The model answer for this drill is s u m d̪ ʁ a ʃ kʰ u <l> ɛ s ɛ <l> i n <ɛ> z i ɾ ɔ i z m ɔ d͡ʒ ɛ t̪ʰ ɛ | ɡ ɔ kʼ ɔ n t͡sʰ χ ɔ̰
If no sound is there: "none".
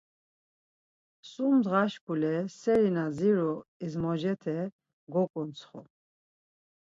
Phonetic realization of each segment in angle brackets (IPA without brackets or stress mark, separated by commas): l, ɾ, a